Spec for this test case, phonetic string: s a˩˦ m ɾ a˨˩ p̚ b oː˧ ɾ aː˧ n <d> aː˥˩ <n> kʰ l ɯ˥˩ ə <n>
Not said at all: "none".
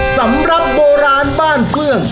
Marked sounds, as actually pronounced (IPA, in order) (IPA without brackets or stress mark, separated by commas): b, n, ŋ